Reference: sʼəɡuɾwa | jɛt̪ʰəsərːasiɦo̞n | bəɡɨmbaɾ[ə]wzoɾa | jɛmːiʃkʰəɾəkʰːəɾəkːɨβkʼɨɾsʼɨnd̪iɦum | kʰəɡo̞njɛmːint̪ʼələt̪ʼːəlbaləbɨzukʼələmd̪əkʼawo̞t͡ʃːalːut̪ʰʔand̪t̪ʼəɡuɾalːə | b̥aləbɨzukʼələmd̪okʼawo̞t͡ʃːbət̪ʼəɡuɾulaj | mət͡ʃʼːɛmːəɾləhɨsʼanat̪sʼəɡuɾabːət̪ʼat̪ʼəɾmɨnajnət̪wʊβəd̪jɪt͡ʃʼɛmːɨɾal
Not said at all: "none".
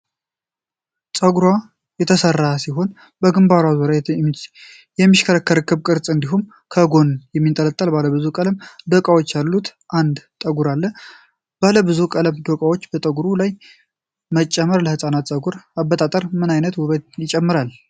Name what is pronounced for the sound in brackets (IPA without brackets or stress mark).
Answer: a